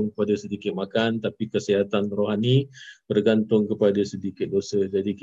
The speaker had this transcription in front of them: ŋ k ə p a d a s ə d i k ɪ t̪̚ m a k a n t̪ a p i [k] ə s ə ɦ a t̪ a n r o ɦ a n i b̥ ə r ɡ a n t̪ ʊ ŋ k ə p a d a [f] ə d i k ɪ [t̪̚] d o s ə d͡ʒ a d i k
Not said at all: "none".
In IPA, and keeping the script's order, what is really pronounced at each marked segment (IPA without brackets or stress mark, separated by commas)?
k, s, t̪̚